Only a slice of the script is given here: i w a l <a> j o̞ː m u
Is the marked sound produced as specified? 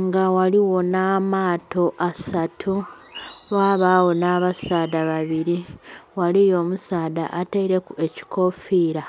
no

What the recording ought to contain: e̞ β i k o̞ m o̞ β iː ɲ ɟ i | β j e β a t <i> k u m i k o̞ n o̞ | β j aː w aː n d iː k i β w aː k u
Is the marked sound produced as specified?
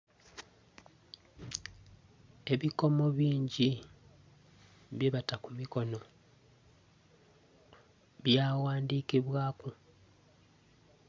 no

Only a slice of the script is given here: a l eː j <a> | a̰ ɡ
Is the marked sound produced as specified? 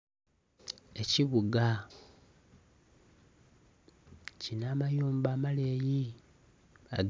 no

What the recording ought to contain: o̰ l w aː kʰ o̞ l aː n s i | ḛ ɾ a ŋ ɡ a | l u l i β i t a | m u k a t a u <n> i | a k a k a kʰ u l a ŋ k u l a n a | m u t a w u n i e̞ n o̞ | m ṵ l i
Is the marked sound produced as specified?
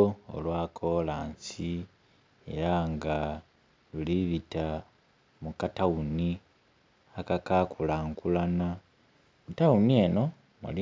yes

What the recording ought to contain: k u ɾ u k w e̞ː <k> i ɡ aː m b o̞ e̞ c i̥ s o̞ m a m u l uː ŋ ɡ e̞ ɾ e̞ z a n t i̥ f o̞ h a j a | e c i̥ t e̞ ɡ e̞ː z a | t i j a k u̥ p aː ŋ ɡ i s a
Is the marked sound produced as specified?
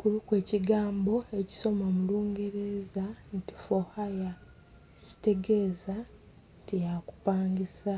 no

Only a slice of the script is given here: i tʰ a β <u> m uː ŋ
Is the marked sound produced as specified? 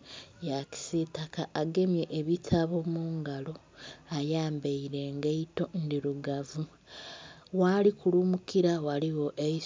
no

